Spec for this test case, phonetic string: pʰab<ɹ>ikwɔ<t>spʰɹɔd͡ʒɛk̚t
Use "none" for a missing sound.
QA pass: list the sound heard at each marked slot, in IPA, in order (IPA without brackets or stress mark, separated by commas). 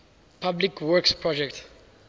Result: l, k